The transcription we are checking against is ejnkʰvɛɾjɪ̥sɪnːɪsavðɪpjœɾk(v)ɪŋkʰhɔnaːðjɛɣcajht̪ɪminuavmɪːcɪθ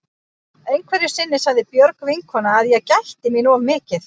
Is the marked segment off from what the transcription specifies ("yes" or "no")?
no